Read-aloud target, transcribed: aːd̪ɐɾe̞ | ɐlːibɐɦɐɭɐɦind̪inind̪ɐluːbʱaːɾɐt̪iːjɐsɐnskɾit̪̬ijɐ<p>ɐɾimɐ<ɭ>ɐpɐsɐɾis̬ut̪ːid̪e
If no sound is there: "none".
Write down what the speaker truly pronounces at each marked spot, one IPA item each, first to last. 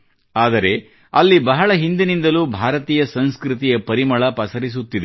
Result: p, ɭ

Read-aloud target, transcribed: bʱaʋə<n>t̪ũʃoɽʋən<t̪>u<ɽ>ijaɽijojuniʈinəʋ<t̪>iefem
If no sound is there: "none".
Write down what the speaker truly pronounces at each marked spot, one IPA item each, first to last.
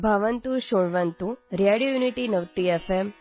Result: n, t̪, ɾ, t̪

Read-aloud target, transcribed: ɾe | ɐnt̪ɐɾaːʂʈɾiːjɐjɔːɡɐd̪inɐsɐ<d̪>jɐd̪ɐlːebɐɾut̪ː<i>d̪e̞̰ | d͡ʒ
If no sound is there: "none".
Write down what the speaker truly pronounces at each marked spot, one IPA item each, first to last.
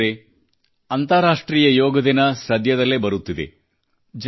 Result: d̪, i

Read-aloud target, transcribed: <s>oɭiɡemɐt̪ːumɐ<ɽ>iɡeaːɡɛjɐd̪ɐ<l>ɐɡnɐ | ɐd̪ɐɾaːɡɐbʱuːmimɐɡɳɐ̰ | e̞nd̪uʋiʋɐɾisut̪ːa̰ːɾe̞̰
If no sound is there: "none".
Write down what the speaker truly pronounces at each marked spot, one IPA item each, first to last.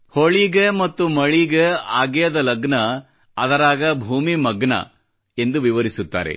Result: h, ɭ, l

